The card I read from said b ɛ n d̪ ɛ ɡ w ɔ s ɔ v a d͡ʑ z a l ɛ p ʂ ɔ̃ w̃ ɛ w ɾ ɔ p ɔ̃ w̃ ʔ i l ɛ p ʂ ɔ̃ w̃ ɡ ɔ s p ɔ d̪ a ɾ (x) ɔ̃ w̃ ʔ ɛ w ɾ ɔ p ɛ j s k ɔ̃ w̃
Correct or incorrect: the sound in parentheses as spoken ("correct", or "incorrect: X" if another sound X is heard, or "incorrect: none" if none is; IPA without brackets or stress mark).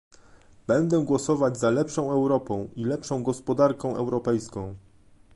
incorrect: k